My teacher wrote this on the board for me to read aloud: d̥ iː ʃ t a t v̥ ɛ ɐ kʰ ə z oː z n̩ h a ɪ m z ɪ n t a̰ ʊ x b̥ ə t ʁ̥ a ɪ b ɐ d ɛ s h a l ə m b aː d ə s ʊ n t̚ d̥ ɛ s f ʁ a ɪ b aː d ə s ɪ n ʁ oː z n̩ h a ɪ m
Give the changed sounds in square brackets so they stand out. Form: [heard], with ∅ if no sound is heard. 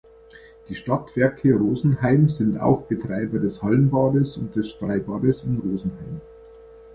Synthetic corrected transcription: d̥ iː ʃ t a t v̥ ɛ ɐ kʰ ə [ʁ] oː z n̩ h a ɪ m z ɪ n t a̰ ʊ x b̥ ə t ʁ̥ a ɪ b ɐ d ɛ s h a l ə [n] b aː d ə s ʊ n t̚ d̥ ɛ s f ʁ a ɪ b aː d ə s ɪ n ʁ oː z n̩ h a ɪ m